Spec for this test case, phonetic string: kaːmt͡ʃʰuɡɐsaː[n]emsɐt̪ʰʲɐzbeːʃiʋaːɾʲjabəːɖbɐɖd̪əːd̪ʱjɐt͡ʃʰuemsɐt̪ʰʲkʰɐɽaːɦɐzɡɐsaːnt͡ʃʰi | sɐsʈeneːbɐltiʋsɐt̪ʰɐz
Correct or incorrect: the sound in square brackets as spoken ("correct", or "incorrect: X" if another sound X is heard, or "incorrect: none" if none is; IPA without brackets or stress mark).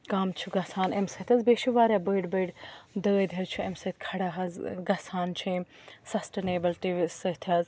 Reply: correct